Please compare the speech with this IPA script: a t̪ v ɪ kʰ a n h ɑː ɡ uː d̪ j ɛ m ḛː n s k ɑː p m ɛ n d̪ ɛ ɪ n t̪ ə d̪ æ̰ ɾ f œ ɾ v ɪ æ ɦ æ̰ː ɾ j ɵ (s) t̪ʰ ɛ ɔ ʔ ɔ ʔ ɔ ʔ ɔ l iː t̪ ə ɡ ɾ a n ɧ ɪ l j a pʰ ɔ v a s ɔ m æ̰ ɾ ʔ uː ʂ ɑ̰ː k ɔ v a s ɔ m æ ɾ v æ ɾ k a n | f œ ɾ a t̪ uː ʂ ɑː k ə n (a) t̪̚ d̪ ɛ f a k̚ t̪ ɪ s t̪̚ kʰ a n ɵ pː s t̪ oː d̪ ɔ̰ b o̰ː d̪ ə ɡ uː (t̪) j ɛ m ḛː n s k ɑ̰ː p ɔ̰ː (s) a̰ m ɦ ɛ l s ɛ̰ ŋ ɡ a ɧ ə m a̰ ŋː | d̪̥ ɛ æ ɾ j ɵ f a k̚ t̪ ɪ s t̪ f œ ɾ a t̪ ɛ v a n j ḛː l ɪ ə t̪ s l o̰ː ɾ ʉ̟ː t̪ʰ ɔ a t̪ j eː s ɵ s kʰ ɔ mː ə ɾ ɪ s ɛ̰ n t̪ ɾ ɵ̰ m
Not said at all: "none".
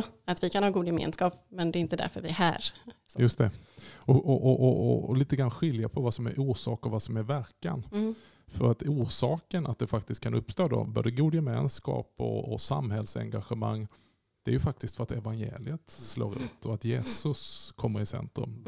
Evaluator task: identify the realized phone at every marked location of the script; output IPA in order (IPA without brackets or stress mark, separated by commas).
s, a, d̪, s